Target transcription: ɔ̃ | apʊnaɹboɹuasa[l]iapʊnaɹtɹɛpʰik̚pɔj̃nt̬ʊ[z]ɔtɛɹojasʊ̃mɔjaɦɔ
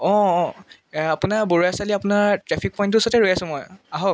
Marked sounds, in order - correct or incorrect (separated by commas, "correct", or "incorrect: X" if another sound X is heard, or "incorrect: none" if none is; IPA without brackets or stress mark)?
correct, incorrect: s